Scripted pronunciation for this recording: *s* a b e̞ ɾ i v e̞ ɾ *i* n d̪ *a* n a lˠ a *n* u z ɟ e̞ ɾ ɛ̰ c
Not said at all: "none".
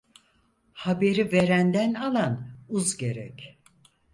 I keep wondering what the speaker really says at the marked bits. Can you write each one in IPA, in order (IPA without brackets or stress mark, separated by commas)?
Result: h, æ, æ, n